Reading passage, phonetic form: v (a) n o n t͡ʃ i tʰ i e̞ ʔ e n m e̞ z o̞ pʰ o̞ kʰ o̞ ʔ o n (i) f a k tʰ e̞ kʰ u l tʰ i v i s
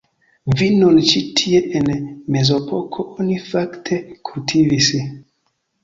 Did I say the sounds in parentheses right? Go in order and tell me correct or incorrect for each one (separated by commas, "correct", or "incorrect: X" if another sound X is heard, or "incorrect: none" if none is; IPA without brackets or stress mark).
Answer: incorrect: i, correct